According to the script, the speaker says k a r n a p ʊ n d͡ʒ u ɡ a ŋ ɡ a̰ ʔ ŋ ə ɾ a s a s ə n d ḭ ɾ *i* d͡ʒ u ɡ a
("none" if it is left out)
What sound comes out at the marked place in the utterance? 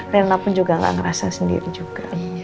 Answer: i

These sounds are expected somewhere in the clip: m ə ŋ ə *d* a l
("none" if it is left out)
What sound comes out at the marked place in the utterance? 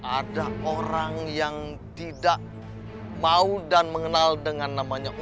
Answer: n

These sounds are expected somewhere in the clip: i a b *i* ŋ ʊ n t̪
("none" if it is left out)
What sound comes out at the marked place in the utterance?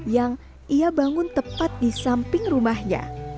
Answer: a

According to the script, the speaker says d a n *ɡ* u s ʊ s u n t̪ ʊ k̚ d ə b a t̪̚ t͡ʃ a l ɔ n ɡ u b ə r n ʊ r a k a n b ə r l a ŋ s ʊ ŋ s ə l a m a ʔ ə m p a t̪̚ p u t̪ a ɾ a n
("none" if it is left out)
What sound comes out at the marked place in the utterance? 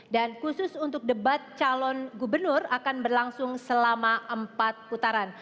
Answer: k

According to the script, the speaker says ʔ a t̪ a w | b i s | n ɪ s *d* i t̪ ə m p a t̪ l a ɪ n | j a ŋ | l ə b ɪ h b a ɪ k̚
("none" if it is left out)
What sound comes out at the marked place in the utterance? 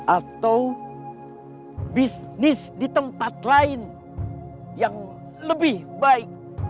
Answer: d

